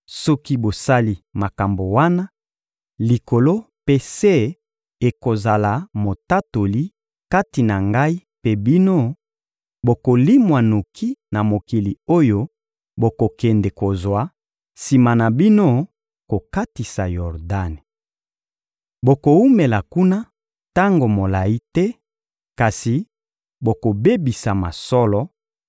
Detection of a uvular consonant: present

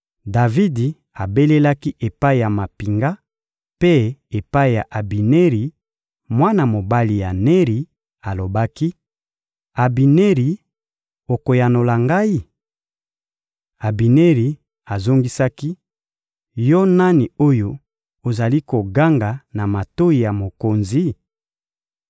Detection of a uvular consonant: present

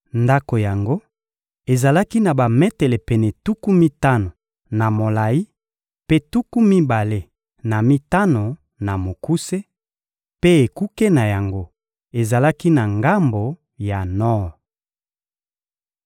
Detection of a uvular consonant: absent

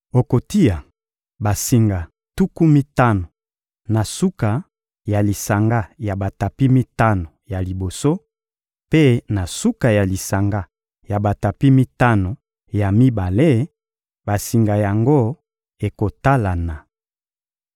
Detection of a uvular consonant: absent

